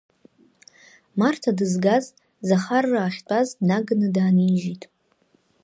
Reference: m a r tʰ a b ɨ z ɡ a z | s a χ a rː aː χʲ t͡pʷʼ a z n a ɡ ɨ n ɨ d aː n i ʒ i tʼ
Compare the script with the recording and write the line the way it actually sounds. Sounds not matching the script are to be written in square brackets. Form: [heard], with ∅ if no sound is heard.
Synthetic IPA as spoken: m a r tʰ a [d] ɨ z ɡ a z | [z] a χ a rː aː χʲ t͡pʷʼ a z n a ɡ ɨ n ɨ d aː n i ʒ i tʼ